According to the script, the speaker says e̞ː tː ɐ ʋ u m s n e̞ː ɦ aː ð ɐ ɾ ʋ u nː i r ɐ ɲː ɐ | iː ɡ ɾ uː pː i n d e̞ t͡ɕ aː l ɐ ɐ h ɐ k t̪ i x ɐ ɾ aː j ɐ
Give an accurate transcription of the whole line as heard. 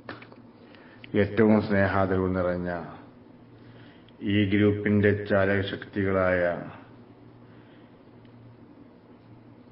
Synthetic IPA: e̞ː tː ɐ ʋ u m s n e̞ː ɦ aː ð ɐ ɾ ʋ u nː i r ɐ ɲː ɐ | iː ɡ ɾ uː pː i n d e̞ t͡ɕ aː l ɐ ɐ ɕ ɐ k t̪ i ɣ ɐ ɭ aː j ɐ